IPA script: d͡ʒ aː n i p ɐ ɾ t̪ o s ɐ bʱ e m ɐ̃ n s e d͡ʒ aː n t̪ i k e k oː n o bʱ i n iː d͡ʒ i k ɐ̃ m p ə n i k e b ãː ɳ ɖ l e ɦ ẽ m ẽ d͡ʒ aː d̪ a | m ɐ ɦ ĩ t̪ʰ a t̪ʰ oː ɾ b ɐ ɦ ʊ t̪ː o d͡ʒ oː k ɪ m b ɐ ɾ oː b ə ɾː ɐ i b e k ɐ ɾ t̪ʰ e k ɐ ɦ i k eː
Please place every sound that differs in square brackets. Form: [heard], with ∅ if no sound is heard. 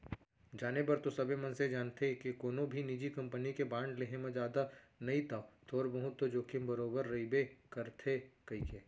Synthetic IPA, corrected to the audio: d͡ʒ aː n [e] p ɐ ɾ t̪ o s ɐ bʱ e m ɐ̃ n s e d͡ʒ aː n t̪ [e] k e k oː n o bʱ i n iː d͡ʒ i k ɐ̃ m p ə n i k e b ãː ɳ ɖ l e ɦ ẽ m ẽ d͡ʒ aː d̪ a | [n] ɐ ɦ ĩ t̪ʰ a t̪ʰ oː ɾ b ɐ ɦ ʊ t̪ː o d͡ʒ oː k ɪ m b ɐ ɾ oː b ə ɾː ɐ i b e k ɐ ɾ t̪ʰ e k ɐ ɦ i k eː